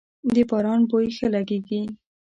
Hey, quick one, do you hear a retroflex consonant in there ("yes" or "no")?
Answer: no